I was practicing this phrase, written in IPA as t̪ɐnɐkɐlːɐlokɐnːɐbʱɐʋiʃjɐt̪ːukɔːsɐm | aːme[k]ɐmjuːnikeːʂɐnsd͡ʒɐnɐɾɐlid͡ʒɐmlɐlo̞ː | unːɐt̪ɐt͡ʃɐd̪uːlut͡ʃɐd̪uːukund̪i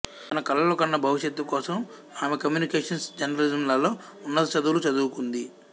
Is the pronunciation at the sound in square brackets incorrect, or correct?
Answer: correct